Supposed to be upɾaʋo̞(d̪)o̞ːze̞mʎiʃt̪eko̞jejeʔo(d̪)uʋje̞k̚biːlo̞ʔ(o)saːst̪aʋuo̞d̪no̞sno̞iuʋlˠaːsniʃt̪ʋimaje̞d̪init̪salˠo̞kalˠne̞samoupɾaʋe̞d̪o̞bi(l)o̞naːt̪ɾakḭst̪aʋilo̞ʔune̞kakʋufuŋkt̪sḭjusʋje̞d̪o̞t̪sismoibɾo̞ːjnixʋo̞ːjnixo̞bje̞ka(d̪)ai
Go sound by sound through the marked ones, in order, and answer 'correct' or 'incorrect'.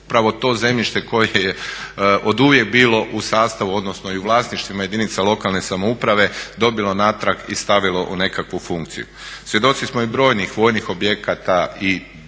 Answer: incorrect: t̪, correct, incorrect: u, correct, incorrect: t̪

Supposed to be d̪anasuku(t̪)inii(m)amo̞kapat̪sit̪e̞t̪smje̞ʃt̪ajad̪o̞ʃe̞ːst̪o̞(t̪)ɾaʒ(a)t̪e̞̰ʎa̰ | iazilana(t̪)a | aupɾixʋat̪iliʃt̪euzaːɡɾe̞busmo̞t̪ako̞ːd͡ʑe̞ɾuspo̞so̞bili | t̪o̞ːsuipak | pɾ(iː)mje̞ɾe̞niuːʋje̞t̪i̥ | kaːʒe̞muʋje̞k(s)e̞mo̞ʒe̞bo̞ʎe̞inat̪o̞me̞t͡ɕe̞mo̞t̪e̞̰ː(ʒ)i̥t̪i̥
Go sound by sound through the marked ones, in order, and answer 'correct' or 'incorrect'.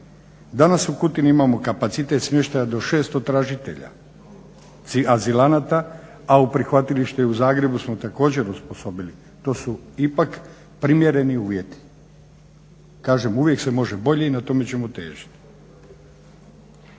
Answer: correct, correct, correct, incorrect: i, correct, incorrect: i, correct, correct

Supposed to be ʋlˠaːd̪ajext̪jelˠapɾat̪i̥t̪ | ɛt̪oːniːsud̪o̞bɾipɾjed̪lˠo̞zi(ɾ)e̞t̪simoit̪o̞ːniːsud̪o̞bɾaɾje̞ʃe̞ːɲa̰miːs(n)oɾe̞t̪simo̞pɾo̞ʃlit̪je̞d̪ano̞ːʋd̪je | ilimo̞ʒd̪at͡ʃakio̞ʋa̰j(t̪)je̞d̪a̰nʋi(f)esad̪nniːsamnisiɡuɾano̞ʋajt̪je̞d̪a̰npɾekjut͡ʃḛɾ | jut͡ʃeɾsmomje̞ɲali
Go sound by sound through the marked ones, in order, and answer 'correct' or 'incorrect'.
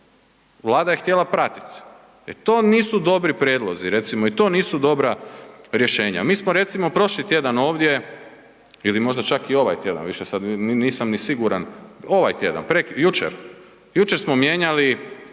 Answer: correct, incorrect: m, correct, incorrect: ʃ

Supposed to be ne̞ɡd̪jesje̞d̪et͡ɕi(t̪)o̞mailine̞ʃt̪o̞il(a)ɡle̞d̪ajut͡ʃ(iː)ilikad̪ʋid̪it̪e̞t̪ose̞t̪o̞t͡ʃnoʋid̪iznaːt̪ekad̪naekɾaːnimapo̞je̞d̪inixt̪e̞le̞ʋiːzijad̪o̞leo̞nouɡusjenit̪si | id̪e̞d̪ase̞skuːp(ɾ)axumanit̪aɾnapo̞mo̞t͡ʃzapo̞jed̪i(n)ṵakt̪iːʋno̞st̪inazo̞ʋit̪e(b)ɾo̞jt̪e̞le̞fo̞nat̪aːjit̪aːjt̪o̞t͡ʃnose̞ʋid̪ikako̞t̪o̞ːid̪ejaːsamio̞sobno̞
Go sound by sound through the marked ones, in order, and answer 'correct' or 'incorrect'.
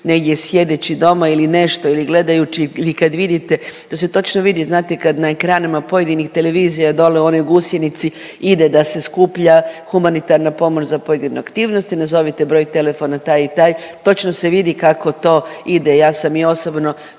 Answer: incorrect: d̪, incorrect: i, incorrect: i, incorrect: ʎ, correct, correct

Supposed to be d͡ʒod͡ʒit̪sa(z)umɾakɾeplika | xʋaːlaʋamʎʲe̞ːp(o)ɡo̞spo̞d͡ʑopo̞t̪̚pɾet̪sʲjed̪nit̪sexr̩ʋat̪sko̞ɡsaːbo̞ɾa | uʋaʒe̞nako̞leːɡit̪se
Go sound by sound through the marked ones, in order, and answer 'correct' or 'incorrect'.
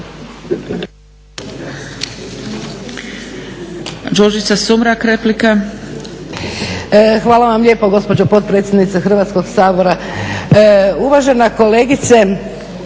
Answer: incorrect: s, correct

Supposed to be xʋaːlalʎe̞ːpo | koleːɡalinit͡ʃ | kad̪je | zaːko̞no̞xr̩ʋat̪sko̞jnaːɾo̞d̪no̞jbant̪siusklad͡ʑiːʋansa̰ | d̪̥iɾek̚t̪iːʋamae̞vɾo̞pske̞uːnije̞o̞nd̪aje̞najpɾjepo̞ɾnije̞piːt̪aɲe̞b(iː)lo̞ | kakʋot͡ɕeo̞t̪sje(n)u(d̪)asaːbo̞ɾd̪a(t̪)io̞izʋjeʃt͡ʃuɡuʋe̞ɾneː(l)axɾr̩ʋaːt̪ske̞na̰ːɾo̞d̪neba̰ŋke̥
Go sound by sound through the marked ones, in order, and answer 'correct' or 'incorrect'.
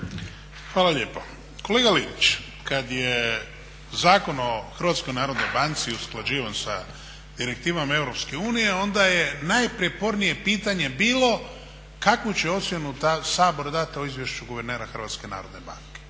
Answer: correct, correct, incorrect: t̪, correct, incorrect: ɾ

